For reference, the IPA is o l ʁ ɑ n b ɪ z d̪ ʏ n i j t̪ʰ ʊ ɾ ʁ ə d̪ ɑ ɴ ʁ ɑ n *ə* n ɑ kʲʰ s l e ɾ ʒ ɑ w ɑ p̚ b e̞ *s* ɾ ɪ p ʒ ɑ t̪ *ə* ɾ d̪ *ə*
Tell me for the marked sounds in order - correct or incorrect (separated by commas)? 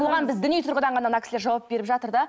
incorrect, incorrect, correct, incorrect